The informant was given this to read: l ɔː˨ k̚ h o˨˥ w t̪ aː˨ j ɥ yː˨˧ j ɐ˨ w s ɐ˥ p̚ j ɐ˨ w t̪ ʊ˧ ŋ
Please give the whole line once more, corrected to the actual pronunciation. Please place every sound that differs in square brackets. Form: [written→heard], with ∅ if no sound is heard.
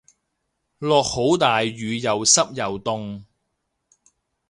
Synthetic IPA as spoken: l ɔː˨ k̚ h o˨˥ w t̪ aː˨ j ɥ yː˨˧ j ɐ˨ w s ɐ˥ p̚ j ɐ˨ w t̪ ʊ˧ ŋ